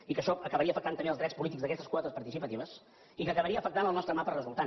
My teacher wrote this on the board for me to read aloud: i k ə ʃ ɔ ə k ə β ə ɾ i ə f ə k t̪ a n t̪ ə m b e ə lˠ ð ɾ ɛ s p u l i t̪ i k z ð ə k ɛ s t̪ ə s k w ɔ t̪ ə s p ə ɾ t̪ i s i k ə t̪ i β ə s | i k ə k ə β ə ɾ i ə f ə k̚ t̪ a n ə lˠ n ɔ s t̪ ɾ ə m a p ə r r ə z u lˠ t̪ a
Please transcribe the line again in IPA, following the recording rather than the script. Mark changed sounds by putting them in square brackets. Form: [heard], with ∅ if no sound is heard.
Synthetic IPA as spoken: i k ə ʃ ɔ ə k ə β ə ɾ i ə f ə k t̪ a n t̪ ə m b e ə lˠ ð ɾ ɛ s p u l i t̪ i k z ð ə k ɛ s t̪ ə s k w ɔ t̪ ə s p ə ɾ t̪ i s i [p] ə t̪ i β ə s | i k ə k ə β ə ɾ i ə f ə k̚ t̪ a n ə lˠ n ɔ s t̪ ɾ ə m a p ə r r ə z u lˠ t̪ a